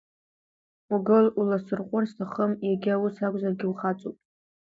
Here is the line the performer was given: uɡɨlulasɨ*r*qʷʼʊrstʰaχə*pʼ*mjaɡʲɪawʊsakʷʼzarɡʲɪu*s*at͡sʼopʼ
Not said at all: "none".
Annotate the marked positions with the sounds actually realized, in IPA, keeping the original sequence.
r, none, χ

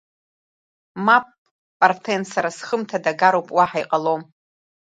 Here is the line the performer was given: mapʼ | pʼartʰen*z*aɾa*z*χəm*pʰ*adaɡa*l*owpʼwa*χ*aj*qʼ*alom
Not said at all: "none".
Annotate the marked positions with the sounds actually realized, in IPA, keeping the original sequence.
s, s, tʰ, ɾ, ħ, qʼ

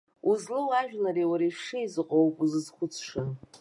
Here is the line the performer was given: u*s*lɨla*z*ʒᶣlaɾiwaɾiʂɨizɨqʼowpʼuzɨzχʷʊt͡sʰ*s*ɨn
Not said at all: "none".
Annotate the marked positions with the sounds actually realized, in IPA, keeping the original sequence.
z, none, ʂ

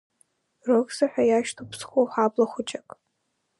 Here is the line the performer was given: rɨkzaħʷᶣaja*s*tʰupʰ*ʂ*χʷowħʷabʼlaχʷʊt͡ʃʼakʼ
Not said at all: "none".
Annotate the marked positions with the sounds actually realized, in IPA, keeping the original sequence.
ʃ, s

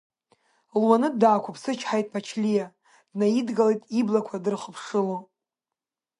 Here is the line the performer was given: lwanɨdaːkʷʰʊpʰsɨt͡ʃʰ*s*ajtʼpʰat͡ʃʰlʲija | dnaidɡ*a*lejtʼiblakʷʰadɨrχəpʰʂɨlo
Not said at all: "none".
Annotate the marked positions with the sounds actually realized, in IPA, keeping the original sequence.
ħ, a

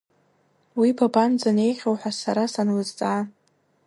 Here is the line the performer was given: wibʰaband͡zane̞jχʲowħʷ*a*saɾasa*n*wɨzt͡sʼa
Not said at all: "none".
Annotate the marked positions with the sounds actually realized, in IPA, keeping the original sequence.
a, n

